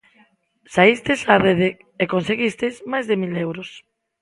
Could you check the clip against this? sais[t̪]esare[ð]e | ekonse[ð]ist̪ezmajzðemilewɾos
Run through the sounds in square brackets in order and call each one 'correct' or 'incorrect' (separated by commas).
correct, correct, incorrect